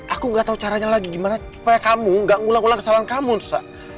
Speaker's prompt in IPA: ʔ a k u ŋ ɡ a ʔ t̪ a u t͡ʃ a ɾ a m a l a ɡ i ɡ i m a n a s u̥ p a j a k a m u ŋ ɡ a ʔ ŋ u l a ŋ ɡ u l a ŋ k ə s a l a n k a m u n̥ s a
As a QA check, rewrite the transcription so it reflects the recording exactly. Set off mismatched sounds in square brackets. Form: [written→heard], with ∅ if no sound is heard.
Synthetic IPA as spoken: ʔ a k u ŋ ɡ a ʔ t̪ a u t͡ʃ a ɾ a [m→ɲ] a l a ɡ i ɡ i m a n a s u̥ p a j a k a m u ŋ ɡ a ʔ ŋ u l a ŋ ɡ u l a ŋ k ə s a l a n k a m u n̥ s a